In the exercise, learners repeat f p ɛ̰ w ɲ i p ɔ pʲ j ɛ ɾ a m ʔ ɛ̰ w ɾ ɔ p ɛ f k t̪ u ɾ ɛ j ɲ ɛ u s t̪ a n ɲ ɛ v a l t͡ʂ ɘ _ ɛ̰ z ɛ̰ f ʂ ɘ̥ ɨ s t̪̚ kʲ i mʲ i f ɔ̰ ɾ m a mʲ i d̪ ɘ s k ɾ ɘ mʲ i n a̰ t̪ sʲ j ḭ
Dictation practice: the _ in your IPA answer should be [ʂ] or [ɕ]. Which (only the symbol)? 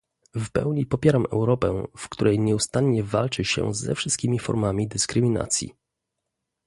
ɕ